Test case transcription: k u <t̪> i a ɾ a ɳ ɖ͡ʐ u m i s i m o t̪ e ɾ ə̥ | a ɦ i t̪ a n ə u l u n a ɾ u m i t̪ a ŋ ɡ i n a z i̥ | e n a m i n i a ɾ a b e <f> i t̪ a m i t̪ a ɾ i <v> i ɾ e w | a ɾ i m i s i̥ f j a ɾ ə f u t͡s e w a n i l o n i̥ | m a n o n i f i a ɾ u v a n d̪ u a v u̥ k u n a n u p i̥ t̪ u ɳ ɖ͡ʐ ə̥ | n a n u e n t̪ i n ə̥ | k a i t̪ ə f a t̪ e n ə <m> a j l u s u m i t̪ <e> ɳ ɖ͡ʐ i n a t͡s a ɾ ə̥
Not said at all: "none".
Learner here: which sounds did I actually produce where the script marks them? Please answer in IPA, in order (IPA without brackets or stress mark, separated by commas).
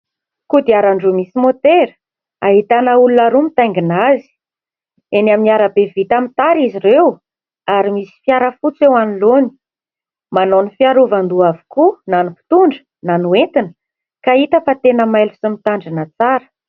d̪, v, z, m, a